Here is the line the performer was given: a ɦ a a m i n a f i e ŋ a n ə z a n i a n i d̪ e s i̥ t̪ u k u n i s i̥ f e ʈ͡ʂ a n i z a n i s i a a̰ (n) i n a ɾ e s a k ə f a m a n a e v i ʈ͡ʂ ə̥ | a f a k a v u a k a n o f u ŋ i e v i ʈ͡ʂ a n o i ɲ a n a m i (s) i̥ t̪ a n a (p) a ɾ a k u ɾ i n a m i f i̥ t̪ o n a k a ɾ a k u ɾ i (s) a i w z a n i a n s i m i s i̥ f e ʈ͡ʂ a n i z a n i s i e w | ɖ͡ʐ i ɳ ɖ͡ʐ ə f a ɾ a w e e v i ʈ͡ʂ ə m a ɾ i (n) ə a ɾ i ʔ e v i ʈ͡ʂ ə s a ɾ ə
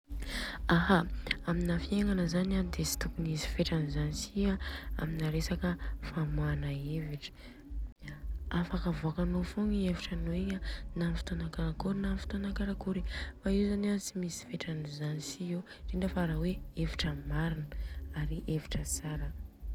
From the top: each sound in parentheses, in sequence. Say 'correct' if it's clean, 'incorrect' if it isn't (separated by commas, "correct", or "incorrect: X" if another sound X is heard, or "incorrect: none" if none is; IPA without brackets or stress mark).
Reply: incorrect: m, incorrect: f, incorrect: k, incorrect: f, correct